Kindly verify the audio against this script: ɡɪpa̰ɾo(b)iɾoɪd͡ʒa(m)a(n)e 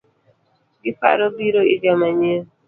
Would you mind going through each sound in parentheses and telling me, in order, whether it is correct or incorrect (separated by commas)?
correct, correct, incorrect